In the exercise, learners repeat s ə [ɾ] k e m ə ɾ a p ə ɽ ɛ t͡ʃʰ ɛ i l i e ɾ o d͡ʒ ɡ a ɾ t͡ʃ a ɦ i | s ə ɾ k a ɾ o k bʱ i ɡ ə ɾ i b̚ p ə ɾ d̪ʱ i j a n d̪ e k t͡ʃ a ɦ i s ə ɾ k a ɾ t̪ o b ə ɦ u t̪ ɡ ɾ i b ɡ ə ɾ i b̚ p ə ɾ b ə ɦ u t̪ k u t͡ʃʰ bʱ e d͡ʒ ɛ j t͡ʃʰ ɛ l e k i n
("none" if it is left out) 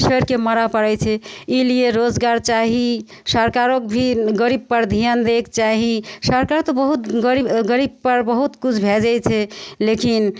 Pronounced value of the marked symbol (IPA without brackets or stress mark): ɾ